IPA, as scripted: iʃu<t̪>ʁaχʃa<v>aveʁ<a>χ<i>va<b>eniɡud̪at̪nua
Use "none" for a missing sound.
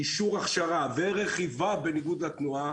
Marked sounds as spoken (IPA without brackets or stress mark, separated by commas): none, ʁ, e, i, b